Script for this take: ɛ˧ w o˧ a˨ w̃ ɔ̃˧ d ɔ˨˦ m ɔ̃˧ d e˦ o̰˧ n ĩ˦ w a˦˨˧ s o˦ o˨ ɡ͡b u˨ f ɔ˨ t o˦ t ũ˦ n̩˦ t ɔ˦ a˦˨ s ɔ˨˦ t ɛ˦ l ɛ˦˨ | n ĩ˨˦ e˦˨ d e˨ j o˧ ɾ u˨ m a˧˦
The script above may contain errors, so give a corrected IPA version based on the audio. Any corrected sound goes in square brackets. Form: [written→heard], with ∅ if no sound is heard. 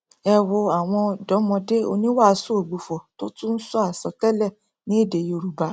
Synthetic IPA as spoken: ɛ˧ w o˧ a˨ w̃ ɔ̃˧ d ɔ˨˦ m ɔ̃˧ d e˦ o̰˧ n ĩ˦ w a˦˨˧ s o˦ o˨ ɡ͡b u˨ f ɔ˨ t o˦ t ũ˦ n̩˦ [t→s] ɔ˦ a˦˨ s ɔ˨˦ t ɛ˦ l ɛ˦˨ | n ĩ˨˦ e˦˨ d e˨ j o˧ ɾ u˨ [m→b] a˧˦